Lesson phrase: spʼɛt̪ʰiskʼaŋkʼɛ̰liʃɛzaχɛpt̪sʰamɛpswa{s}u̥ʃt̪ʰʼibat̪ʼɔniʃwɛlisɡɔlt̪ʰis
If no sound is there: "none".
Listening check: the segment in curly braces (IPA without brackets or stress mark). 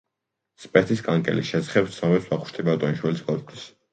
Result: χ